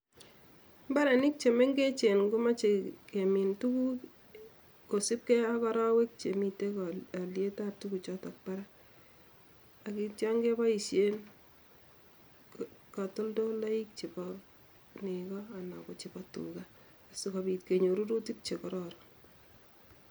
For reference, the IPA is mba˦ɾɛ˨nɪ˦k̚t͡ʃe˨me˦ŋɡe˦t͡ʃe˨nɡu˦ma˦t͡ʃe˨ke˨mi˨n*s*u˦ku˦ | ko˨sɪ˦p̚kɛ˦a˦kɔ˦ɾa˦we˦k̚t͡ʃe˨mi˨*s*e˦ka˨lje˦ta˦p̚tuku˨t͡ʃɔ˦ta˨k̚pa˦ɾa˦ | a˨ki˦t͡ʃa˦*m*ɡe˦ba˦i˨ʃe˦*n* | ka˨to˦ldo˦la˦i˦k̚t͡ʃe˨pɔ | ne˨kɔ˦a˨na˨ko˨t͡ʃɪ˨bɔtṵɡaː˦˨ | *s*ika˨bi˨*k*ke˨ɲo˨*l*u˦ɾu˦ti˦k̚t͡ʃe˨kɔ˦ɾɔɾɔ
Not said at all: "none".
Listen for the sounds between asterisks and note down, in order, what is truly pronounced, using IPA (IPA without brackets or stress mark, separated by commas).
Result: t, t, ŋ, n, s, t, ɾ